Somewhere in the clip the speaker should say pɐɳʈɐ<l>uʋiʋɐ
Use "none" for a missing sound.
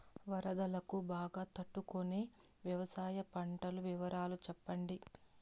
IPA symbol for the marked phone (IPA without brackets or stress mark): l